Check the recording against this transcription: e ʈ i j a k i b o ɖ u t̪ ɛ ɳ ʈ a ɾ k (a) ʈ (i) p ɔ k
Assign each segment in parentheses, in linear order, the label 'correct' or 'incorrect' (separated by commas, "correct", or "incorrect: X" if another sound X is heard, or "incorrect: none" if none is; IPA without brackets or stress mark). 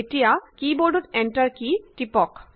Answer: incorrect: i, correct